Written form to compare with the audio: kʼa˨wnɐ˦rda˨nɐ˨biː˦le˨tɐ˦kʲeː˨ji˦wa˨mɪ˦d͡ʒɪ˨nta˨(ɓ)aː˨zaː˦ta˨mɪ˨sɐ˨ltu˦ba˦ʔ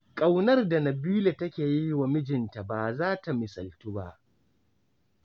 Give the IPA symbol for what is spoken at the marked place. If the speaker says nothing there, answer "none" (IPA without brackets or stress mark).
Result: b